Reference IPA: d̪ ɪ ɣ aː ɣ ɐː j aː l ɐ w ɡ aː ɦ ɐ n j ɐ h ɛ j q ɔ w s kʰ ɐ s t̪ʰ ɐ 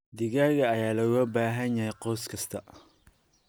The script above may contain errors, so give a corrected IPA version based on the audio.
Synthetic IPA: d̪ ɪ ɣ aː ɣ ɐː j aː l ɐ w b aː ɦ ɐ n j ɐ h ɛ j q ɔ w s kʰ ɐ s t̪ʰ ɐ